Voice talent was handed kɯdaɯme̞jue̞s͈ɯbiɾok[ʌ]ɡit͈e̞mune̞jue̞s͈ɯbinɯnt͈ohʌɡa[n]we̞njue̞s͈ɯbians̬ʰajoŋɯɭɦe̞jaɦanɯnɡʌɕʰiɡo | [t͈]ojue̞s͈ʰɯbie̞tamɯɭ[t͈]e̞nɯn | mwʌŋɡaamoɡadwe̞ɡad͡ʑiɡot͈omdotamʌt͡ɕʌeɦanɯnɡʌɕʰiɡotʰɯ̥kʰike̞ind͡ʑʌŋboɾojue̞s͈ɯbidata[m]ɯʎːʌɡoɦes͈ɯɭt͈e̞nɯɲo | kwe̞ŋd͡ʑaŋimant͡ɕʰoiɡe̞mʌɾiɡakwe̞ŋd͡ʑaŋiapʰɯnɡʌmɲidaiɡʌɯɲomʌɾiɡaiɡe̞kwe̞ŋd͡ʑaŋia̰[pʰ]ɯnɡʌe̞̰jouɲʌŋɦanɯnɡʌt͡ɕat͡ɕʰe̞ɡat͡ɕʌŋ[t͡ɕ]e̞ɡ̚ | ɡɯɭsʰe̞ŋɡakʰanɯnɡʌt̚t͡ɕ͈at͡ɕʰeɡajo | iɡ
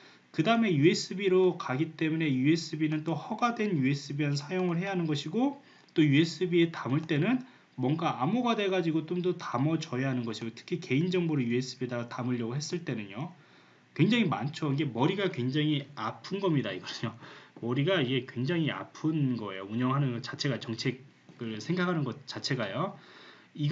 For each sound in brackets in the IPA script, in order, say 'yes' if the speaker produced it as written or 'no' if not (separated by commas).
no, no, yes, yes, yes, yes, no